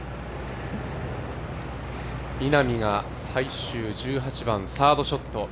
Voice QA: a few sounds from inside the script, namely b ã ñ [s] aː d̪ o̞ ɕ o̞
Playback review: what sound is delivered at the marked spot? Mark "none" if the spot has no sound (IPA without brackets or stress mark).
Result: s